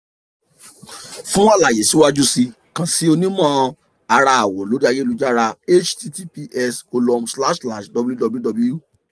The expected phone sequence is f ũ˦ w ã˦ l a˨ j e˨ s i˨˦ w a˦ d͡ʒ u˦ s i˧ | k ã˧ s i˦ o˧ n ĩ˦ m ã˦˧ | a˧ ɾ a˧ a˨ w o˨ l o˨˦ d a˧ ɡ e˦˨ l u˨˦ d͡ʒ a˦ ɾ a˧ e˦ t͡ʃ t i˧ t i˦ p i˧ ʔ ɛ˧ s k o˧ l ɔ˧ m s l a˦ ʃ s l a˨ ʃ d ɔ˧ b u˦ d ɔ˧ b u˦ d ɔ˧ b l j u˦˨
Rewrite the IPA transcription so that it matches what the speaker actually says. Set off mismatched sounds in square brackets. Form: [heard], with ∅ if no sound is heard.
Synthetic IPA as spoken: f ũ˦ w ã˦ l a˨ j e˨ s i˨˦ w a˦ d͡ʒ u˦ s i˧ | k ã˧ s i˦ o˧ n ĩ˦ m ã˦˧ | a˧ ɾ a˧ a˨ w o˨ l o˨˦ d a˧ ɡ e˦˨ l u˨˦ d͡ʒ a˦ ɾ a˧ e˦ t͡ʃ t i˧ t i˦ p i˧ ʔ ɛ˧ s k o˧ l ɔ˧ m s l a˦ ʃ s l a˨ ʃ d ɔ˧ b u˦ d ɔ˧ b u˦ d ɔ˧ b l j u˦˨